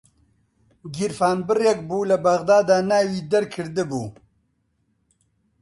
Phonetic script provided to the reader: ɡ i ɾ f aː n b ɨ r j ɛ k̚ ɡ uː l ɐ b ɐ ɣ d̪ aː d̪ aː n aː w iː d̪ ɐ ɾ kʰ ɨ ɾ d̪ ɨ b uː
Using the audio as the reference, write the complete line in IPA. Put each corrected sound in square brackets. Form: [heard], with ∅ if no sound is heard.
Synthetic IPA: ɡ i ɾ f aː n b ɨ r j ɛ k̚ [b] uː l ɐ b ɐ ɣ d̪ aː d̪ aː n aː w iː d̪ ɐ ɾ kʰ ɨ ɾ d̪ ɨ b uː